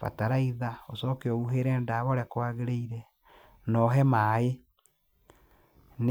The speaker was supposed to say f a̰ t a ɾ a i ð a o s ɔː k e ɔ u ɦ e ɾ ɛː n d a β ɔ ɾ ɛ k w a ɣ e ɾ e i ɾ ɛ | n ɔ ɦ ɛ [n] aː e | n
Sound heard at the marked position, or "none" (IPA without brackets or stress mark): m